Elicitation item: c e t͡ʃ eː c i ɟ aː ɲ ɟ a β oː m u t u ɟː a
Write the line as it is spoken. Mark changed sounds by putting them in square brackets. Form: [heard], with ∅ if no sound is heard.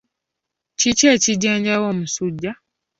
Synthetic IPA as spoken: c [i] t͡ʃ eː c i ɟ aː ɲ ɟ a [w] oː m u [s] u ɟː a